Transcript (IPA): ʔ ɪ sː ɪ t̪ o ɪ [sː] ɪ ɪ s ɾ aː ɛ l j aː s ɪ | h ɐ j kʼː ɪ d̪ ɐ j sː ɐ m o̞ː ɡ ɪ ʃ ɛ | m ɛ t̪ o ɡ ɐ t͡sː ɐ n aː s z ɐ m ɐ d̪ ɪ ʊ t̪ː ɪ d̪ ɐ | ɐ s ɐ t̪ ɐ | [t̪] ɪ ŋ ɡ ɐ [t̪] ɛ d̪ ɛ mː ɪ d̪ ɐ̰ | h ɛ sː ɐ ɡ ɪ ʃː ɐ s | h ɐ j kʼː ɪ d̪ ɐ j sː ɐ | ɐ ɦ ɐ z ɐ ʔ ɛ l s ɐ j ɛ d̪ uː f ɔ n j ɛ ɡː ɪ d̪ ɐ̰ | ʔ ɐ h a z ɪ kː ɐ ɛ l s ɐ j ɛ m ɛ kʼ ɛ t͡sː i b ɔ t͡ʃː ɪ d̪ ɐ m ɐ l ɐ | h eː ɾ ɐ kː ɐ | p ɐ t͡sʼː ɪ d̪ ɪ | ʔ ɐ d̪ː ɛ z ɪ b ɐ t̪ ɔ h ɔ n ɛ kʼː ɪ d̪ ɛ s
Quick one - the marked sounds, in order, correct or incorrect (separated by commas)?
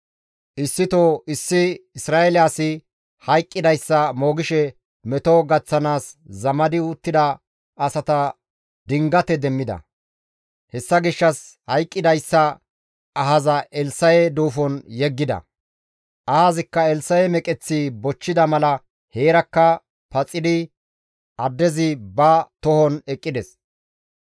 correct, incorrect, correct